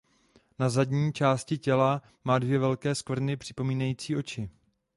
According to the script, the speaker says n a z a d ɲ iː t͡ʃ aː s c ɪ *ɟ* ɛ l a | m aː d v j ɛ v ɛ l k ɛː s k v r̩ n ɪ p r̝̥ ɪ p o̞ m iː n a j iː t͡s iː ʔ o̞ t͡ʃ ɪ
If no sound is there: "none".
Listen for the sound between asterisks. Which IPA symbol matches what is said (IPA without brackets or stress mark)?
c